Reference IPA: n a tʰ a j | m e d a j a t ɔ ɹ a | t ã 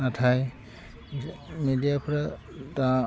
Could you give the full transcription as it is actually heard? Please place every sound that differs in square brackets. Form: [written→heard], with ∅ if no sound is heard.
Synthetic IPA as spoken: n a tʰ a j | m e d [a→i] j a [t→p] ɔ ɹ a | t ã